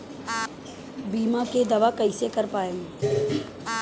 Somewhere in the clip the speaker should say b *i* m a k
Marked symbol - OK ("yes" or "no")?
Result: no